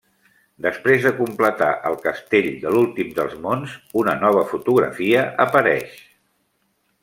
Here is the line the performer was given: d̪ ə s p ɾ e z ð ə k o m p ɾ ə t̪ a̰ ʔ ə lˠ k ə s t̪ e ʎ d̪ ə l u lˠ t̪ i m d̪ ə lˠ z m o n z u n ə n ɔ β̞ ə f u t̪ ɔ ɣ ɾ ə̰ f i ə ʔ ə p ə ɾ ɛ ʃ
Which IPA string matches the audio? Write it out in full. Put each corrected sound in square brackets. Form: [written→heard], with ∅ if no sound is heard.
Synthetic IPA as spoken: d̪ ə s p ɾ e z ð ə k [o→u] m p [ɾ→l] ə t̪ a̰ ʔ ə lˠ k ə s t̪ e ʎ d̪ ə l u lˠ t̪ i m d̪ ə lˠ z m o n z u n ə n ɔ β̞ ə f u t̪ [ɔ→u] ɣ ɾ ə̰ f i ə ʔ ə p ə ɾ ɛ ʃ